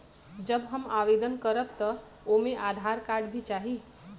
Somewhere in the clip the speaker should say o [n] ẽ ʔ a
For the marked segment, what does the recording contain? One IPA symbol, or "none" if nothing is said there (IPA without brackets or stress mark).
m